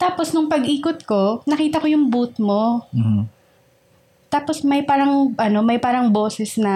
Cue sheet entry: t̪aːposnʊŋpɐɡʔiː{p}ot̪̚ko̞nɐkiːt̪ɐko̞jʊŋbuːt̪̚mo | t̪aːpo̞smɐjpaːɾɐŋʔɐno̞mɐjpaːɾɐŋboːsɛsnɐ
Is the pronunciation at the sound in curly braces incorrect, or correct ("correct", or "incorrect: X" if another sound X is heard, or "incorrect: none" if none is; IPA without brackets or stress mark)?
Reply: incorrect: k